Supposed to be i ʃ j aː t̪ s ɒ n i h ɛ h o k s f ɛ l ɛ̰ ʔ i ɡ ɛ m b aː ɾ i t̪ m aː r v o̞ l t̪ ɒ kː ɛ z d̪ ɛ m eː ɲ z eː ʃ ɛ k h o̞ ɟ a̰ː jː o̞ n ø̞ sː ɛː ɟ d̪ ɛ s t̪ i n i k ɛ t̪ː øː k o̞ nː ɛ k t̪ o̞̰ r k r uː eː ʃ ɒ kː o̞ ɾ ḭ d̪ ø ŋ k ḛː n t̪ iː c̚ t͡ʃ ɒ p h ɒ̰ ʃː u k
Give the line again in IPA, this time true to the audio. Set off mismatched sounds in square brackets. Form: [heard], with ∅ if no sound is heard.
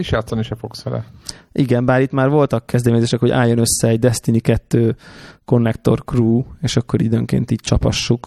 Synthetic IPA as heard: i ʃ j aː t̪ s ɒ n i [ʃ] ɛ [f] o k s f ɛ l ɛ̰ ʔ i ɡ ɛ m b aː ɾ i t̪ m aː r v o̞ l t̪ ɒ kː ɛ z d̪ ɛ m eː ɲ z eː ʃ ɛ k h o̞ ɟ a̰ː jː o̞ n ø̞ sː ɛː ɟ d̪ ɛ s t̪ i n i k ɛ t̪ː øː k o̞ nː ɛ k t̪ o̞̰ r k r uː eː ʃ ɒ kː o̞ ɾ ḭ d̪ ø ŋ k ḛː n t̪ iː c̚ t͡ʃ ɒ p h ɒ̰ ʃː u k